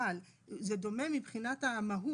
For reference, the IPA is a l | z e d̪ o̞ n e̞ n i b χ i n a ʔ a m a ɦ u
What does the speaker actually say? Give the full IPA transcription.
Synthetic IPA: a l | z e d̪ o̞ m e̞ m i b χ i n a t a m a ɦ u